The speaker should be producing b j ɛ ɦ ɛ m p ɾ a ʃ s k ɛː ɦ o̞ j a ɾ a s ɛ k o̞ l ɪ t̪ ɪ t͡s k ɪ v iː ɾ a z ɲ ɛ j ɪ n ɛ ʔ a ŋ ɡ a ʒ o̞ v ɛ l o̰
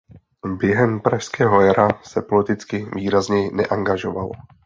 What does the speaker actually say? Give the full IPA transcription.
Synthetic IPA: b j ɛ ɦ ɛ m p ɾ a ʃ s k ɛː ɦ o̞ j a ɾ a s ɛ p o̞ l ɪ t̪ ɪ t͡s k ɪ v iː ɾ a z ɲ ɛ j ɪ n ɛ ʔ a ŋ ɡ a ʒ o̞ v a l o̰